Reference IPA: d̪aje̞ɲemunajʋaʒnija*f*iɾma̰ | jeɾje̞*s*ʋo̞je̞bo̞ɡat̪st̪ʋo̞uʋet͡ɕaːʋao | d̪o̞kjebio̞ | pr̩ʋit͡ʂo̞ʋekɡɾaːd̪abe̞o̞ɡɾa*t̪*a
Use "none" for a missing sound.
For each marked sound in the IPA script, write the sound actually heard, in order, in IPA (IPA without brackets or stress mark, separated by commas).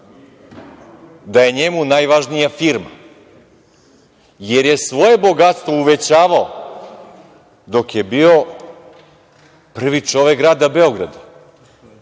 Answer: f, s, d̪